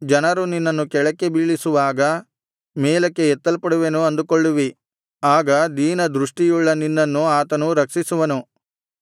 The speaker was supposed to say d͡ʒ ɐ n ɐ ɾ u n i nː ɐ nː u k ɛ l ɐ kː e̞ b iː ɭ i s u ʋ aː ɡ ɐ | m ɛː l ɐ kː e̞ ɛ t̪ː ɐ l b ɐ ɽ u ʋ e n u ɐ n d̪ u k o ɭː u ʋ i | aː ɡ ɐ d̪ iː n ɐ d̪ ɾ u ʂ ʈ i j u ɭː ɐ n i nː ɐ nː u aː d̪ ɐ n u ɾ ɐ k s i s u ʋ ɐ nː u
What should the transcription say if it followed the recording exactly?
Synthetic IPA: d͡ʒ ɐ n ɐ ɾ u n i nː ɐ nː u k ɛ ɭ ɐ kː e̞ b iː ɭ i s u ʋ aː ɡ ɐ | m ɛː l ɐ kː e̞ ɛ t̪ː ɐ l p ɐ ɽ u ʋ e n u ɐ n d̪ u k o ɭː u ʋ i | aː ɡ ɐ d̪ iː n ɐ d̪ ɾ u ʂ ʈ i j u ɭː ɐ n i nː ɐ nː u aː t̪ ɐ n u ɾ ɐ k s i s u ʋ ɐ n u

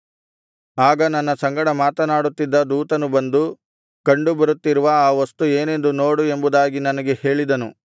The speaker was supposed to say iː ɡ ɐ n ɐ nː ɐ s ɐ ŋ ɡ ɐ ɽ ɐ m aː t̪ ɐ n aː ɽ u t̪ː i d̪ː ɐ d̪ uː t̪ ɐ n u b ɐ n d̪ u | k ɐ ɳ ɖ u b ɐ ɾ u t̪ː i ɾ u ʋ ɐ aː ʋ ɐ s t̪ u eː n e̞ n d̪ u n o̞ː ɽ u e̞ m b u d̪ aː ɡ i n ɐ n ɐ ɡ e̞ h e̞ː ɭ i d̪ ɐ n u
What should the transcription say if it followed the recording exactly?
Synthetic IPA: aː ɡ ɐ n ɐ nː ɐ s ɐ ŋ ɡ ɐ ɽ ɐ m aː t̪ ɐ n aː ɽ u t̪ː i d̪ː ɐ d̪ uː t̪ ɐ n u b ɐ n d̪ u | k ɐ ɳ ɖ u b ɐ ɾ u t̪ː i ɾ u ʋ ɐ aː ʋ ɐ s t̪ u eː n e̞ n d̪ u n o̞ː ɽ u e̞ m b u d̪ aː ɡ i n ɐ n ɐ ɡ e̞ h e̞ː ɭ i d̪ ɐ n u

